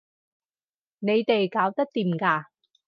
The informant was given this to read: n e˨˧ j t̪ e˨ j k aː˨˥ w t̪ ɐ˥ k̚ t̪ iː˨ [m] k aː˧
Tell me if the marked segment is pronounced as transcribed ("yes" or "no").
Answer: yes